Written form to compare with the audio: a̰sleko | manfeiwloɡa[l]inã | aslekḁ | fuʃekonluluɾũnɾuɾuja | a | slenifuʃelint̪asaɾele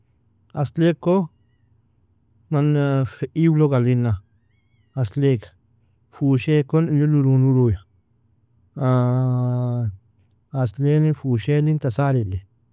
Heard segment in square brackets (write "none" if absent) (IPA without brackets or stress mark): l